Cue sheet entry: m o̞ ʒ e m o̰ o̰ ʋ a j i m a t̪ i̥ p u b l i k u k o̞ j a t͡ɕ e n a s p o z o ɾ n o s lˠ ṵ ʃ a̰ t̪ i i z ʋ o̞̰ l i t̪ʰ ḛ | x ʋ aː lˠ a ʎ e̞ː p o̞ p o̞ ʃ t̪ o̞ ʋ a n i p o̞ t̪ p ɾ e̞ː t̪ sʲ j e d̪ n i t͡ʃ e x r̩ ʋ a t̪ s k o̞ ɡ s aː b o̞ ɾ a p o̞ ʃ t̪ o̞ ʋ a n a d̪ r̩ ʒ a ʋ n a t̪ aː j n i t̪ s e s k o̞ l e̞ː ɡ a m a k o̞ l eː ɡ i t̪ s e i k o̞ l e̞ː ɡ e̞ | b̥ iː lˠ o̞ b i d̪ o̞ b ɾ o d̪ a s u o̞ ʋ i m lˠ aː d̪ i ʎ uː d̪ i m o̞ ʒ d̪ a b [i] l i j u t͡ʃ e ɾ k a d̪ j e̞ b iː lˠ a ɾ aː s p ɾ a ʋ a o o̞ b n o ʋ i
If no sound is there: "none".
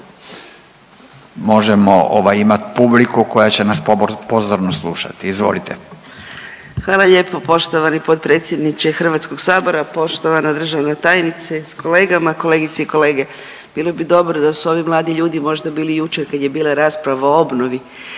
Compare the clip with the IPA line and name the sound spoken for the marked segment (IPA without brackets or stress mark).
iː